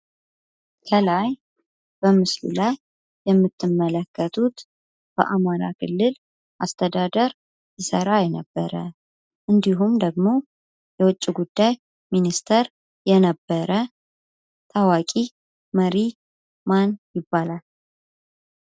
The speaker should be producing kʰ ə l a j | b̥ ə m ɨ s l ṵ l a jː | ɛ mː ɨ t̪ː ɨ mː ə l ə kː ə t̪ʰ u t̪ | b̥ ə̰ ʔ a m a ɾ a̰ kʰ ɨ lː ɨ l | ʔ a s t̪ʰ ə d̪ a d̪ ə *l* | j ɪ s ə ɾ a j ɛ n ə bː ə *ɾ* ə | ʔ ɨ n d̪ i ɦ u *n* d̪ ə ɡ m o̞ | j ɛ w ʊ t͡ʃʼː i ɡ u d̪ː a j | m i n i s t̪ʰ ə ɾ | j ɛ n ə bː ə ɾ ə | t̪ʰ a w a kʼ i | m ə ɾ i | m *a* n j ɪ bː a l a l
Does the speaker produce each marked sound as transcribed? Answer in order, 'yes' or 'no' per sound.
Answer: no, yes, no, yes

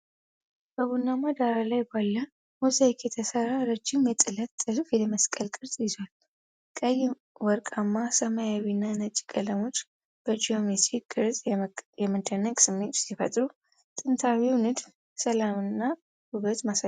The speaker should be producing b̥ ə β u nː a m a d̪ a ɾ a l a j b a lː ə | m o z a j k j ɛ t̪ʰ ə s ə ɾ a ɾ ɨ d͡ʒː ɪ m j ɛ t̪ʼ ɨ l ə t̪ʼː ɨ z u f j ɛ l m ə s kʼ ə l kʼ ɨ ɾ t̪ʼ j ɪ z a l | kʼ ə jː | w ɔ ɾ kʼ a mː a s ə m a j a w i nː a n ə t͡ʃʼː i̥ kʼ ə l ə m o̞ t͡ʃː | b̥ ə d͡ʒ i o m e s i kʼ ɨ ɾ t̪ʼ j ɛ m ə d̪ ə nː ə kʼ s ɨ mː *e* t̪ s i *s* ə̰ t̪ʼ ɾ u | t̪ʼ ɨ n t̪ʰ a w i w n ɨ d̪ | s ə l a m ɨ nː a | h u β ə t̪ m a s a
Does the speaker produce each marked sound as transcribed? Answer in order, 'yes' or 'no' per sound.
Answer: yes, no

